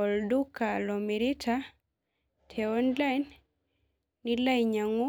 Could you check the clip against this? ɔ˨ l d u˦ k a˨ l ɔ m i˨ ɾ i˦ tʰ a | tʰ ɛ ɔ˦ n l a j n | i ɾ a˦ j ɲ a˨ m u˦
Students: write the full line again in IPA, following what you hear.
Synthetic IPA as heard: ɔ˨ l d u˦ k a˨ l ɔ m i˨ ɾ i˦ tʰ a | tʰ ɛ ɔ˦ n l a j n | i l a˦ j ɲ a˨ ŋ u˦